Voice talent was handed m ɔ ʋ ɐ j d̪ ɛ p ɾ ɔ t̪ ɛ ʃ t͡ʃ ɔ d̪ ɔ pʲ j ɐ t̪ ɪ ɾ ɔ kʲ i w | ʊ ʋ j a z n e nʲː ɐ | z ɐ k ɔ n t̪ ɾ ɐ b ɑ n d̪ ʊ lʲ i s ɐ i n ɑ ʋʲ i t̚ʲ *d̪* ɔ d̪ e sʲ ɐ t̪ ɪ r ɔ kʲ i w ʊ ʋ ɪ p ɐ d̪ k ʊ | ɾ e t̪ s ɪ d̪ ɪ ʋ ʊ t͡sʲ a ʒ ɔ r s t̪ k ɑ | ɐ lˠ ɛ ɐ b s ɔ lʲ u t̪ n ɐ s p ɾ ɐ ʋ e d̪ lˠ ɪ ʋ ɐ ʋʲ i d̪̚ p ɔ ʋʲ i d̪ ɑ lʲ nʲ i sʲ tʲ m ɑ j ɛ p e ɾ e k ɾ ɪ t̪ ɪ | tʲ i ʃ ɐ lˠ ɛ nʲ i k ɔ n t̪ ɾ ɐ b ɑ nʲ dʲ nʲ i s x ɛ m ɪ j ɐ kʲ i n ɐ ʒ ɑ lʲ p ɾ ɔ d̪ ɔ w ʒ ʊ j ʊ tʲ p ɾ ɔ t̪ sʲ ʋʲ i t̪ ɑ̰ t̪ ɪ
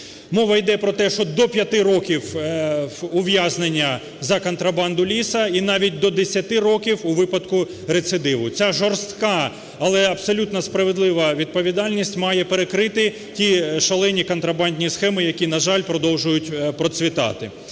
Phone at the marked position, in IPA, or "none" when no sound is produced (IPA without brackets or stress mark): d̪